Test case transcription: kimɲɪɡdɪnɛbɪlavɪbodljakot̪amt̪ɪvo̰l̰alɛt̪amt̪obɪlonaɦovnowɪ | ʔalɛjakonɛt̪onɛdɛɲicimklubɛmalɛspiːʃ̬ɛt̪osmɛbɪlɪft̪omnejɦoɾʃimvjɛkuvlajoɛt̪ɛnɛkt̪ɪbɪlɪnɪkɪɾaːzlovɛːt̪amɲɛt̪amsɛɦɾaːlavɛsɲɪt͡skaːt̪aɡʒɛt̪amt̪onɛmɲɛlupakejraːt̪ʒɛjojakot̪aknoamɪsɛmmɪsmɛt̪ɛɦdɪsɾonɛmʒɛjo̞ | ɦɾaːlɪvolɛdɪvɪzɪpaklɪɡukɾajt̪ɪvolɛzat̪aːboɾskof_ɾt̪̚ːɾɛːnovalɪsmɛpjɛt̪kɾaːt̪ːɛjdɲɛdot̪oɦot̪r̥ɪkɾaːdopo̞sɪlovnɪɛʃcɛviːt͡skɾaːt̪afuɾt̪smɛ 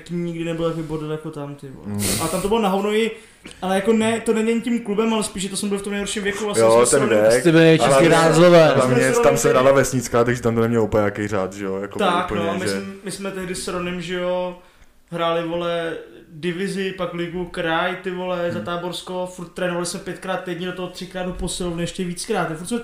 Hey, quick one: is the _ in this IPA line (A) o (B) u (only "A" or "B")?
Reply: B